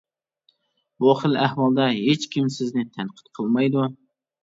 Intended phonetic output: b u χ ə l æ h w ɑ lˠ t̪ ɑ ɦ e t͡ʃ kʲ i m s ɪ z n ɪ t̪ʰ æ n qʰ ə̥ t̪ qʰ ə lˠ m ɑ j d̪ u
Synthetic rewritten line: b u χ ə l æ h w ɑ lˠ d̪ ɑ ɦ e t͡ʃ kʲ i m s ɪ z n ɪ t̪ʰ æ n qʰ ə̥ t̪ qʰ ə lˠ m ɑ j d̪ u